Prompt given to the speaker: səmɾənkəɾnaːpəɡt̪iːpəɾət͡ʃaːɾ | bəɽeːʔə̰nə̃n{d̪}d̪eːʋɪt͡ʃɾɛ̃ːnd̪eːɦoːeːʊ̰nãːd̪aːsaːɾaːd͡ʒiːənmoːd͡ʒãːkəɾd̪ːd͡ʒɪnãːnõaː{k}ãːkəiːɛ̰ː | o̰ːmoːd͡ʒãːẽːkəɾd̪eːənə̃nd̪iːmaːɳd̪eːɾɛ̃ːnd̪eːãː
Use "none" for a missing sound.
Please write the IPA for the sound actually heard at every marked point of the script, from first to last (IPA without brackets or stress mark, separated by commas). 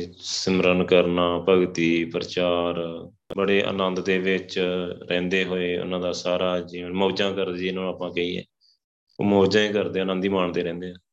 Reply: d̪, p